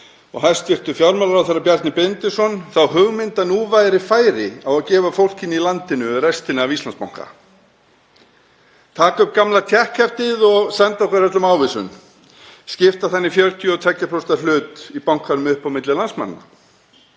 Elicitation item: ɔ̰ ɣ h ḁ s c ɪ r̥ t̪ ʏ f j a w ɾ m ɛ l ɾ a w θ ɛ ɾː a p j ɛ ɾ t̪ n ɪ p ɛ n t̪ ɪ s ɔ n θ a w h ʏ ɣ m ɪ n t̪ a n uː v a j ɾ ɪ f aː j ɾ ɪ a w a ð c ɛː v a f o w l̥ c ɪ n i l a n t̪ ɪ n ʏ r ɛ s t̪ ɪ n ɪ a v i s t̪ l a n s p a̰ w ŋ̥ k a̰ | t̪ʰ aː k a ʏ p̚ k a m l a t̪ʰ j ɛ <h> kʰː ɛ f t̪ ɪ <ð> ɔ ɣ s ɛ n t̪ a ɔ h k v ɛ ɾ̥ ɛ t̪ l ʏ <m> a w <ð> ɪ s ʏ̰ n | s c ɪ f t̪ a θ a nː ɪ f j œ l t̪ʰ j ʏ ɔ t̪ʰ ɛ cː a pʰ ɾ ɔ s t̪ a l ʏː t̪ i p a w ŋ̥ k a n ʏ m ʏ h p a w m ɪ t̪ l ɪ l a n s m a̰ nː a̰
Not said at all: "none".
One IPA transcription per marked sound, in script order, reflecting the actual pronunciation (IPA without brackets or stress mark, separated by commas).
h, ð, m, v